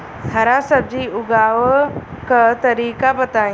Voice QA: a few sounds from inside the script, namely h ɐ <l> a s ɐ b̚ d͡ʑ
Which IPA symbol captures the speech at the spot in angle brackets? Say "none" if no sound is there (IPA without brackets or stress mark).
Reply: ɾ